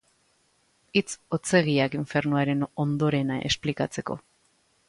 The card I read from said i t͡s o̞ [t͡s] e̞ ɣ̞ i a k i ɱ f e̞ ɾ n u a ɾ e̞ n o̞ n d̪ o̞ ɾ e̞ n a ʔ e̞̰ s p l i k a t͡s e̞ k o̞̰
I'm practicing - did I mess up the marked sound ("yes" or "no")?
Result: no